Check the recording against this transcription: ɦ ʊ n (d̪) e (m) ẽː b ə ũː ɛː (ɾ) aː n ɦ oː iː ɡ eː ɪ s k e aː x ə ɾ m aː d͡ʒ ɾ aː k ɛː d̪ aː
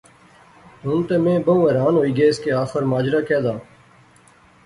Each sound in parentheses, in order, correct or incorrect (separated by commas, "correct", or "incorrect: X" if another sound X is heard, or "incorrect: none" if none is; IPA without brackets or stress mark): incorrect: t̪, correct, correct